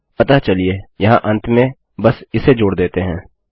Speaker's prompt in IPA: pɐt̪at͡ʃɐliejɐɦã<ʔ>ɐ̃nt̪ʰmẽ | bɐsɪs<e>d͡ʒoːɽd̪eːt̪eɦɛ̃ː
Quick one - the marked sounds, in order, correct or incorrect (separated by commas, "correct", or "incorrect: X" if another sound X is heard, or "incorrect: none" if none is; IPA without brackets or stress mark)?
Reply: correct, correct